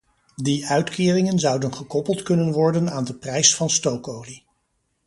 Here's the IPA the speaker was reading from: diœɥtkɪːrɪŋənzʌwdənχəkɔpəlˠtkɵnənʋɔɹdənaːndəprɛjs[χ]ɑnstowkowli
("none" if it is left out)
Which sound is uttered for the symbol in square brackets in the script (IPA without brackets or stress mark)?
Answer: f